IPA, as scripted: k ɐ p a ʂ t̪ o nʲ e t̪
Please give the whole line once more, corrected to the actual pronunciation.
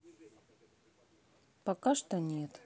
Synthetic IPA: p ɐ k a ʂ t̪ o nʲ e t̪